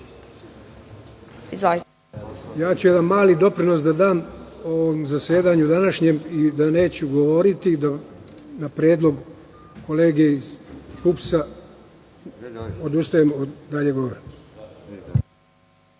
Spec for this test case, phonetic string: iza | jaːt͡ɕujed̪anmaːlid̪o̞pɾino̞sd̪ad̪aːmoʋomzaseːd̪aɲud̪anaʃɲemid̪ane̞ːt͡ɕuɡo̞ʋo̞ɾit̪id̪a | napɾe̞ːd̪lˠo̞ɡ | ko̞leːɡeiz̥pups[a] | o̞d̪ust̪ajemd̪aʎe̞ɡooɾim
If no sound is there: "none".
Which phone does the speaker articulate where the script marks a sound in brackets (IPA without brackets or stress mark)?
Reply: a